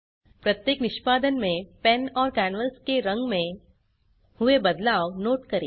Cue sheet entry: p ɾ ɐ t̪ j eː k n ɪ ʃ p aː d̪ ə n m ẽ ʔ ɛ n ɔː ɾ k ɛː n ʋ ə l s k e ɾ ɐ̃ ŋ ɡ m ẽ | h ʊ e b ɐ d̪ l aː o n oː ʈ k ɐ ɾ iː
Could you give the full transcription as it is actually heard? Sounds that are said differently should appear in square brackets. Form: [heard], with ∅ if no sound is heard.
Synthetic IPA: p ɾ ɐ t̪ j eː k n ɪ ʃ p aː d̪ ə n m ẽ [p] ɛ n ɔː ɾ k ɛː n ʋ ə l s k e ɾ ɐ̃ ŋ ɡ m ẽ | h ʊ e b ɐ d̪ l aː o n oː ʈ k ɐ ɾ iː

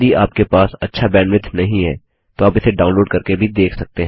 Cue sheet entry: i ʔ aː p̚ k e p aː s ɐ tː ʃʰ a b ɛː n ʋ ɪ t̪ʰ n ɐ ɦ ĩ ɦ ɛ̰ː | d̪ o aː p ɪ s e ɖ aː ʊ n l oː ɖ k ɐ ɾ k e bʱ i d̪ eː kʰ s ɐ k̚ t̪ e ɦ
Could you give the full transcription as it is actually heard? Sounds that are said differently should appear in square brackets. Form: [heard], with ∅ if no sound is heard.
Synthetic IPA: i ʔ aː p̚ k e p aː s ɐ tː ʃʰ a b ɛː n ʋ ɪ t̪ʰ n ɐ ɦ ĩ ɦ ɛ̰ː | [t̪] o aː p ɪ s e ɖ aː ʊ n l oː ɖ k ɐ ɾ k e bʱ i d̪ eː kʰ s ɐ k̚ t̪ e ɦ

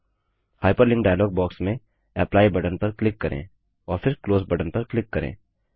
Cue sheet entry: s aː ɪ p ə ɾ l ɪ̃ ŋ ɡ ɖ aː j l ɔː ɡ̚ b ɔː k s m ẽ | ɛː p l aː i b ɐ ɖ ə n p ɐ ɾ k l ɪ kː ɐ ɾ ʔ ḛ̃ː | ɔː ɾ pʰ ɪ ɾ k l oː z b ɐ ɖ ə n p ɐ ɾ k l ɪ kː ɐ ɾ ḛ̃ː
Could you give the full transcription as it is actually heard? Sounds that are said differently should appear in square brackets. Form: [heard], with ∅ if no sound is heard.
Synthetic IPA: [h] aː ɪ p ə ɾ l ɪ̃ ŋ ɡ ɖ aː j l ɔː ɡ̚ b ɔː k s m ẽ | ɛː p l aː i b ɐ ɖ ə n p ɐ ɾ k l ɪ kː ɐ ɾ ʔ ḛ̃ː | ɔː ɾ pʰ ɪ ɾ k l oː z b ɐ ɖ ə n p ɐ ɾ k l ɪ kː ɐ ɾ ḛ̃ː

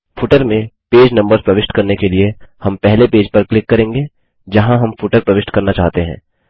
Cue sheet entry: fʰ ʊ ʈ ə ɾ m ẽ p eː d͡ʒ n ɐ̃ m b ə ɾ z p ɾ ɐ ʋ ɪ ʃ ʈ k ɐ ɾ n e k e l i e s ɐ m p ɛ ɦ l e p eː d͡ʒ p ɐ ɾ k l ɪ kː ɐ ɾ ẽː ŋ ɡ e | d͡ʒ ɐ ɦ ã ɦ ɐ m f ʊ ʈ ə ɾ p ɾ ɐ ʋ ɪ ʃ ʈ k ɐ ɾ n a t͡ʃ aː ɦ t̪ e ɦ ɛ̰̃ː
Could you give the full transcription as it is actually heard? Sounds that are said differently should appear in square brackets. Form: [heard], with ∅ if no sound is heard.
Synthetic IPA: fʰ ʊ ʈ ə ɾ m ẽ p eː d͡ʒ n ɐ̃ m b ə ɾ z p ɾ ɐ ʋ ɪ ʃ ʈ k ɐ ɾ n e k e l i e [h] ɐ m p ɛ ɦ l e p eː d͡ʒ p ɐ ɾ k l ɪ kː ɐ ɾ ẽː ŋ ɡ e | d͡ʒ ɐ ɦ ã ɦ ɐ m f ʊ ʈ ə ɾ p ɾ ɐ ʋ ɪ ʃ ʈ k ɐ ɾ n a t͡ʃ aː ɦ t̪ e ɦ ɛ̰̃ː

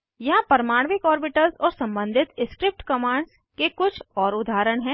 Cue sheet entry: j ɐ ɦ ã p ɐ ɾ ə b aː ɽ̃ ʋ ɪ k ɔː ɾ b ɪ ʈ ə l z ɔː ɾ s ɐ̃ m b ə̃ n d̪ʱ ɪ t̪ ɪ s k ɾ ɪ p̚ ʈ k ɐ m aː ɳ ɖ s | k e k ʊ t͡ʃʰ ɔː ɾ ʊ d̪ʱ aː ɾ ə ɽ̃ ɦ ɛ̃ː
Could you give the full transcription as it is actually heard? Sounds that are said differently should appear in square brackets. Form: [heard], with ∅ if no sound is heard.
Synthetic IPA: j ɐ ɦ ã p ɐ ɾ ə [m] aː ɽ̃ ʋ ɪ k ɔː ɾ b ɪ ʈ ə l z ɔː ɾ s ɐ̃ m b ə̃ n d̪ʱ ɪ t̪ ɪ s k ɾ ɪ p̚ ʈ k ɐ m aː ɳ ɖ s | k e k ʊ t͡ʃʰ ɔː ɾ ʊ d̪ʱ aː ɾ ə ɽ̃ ɦ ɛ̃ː

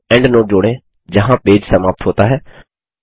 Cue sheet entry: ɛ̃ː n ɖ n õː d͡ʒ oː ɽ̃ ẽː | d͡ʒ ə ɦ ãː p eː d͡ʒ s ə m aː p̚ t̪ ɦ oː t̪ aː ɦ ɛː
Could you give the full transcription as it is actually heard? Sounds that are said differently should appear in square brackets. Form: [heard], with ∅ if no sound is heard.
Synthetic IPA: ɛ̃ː [ɳ] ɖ n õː d͡ʒ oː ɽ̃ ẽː | d͡ʒ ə ɦ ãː p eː d͡ʒ s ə m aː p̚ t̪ ɦ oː t̪ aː ɦ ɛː

